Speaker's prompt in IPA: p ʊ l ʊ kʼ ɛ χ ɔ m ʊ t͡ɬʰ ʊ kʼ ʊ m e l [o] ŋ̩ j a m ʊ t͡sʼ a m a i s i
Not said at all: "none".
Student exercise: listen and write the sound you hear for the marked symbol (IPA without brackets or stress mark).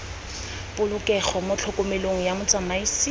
o